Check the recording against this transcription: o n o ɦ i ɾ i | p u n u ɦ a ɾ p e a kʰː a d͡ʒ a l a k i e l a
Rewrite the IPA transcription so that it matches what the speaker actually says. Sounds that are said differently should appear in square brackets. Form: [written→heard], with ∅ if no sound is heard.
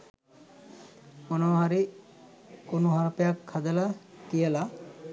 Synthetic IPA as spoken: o n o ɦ [i→a] ɾ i | [p→k] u n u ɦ a ɾ p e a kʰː a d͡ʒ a l a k i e l a